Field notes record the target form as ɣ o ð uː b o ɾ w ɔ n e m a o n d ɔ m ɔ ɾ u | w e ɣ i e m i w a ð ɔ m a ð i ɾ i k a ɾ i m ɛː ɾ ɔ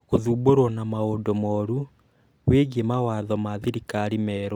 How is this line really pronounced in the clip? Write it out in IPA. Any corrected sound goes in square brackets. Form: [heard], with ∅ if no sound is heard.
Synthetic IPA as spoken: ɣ o ð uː b o ɾ w ɔ n [a] m a o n d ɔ m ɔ ɾ u | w e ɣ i e m [a] w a ð ɔ m a ð i ɾ i k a ɾ i m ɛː ɾ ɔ